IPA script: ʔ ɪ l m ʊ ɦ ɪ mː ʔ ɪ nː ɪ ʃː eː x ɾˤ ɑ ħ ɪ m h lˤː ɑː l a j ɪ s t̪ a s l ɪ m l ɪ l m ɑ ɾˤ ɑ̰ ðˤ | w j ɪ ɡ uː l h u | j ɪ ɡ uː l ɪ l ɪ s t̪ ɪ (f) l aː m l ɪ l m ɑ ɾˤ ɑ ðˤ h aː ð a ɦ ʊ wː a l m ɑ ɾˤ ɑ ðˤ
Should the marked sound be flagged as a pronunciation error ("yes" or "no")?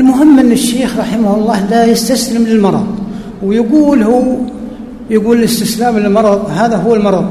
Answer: yes